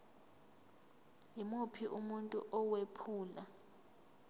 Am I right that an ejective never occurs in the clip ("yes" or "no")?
no